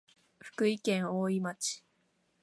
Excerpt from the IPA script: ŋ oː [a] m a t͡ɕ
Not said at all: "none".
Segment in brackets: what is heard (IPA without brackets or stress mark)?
i